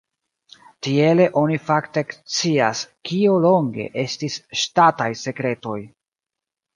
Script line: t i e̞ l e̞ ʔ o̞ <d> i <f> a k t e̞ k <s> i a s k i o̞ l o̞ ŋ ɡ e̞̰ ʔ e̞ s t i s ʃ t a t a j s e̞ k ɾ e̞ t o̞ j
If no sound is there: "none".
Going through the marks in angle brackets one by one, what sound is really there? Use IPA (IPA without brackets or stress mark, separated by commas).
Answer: n, f, t͡s